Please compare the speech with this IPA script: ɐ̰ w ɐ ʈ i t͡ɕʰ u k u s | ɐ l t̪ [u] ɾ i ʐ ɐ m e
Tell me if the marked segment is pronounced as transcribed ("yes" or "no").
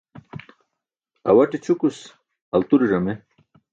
yes